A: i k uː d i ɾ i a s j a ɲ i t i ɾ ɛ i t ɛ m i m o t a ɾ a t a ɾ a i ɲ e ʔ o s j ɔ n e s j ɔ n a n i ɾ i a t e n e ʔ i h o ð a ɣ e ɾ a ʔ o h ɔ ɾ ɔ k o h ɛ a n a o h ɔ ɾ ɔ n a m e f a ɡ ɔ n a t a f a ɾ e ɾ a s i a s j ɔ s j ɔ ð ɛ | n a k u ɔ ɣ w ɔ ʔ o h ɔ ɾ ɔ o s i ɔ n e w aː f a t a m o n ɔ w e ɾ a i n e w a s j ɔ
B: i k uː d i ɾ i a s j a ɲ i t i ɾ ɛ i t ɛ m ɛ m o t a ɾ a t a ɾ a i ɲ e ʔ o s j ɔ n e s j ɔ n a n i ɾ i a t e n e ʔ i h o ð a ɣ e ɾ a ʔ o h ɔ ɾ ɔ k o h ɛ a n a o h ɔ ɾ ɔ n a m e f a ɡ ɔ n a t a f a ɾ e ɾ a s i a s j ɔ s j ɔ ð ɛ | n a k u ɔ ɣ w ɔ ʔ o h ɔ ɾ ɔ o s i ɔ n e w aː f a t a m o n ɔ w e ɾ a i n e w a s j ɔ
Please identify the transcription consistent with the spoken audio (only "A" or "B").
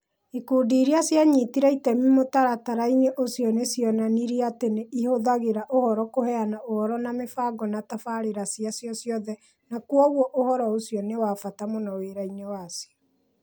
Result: A